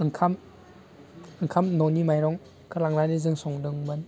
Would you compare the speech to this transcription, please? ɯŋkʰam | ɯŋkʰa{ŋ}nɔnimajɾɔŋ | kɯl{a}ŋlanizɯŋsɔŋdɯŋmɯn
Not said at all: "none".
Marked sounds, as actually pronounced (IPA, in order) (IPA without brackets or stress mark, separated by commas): m, a